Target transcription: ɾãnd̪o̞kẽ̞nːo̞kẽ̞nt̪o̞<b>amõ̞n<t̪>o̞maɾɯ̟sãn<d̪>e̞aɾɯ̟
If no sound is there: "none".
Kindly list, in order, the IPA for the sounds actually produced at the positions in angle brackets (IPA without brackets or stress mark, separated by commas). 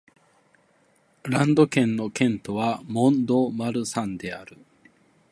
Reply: β, d̪, d̪